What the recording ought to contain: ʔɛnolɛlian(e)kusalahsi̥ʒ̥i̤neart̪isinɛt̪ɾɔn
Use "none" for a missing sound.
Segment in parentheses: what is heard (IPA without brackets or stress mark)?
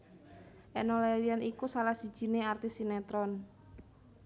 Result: i